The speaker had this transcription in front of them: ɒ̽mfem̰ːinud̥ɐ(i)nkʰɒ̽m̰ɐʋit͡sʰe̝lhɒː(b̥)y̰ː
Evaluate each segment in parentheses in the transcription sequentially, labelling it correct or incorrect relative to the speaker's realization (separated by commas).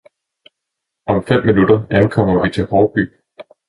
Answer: incorrect, correct